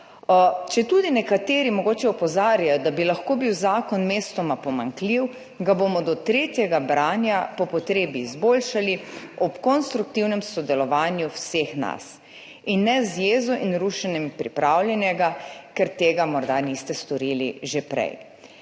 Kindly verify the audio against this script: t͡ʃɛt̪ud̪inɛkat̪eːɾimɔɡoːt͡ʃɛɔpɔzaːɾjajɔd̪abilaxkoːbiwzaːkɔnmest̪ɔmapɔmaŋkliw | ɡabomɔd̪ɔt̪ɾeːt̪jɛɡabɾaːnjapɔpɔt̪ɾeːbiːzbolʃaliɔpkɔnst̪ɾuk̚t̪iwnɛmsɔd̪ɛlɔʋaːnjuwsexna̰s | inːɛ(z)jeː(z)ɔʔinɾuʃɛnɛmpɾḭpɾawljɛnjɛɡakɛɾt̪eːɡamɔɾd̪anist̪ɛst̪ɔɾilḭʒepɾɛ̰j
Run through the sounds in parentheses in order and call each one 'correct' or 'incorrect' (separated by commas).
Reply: correct, correct